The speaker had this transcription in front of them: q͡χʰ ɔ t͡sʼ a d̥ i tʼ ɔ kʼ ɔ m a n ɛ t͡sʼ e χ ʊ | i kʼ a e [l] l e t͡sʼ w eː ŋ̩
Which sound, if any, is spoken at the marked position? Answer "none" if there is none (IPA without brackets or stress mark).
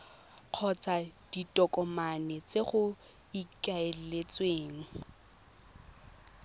l